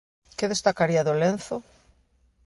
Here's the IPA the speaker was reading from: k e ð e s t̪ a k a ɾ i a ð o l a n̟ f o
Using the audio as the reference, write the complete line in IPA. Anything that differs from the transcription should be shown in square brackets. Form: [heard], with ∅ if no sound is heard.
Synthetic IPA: k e ð e s t̪ a k a ɾ i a ð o l [e] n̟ [θ] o